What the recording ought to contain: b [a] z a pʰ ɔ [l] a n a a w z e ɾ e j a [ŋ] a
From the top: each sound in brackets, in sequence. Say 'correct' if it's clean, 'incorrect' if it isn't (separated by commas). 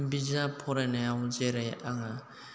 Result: incorrect, incorrect, correct